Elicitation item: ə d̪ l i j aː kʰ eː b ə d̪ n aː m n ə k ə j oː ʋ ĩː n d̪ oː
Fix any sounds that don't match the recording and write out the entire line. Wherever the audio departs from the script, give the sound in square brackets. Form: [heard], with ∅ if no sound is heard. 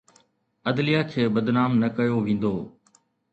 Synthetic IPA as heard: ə d̪ l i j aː kʰ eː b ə d̪ n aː m n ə k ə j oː ʋ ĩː n d̪ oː